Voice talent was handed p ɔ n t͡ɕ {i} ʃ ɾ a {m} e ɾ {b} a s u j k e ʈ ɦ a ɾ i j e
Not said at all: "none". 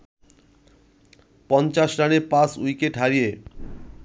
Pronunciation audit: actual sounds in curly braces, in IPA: a, n, p

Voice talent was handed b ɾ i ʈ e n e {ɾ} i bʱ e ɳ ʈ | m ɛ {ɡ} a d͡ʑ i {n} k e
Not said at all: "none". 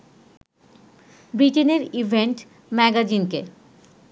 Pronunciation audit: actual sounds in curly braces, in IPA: ɾ, ɡ, n

